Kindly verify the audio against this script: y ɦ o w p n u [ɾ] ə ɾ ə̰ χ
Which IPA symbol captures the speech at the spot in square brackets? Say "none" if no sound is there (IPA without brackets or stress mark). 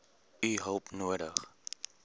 none